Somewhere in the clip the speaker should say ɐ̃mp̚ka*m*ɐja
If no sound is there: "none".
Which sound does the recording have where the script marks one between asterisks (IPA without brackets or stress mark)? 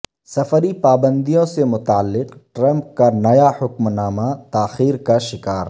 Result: n